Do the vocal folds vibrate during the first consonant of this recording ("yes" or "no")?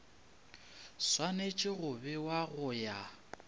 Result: no